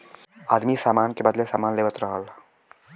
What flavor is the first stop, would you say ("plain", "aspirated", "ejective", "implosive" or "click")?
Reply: plain